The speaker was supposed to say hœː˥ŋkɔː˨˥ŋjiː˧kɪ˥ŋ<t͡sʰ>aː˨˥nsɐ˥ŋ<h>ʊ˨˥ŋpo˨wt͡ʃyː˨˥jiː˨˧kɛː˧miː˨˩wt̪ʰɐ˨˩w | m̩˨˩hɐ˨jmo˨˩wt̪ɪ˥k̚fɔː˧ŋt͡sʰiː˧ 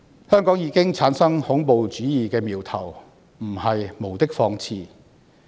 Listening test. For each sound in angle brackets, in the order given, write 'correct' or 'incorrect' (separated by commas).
correct, correct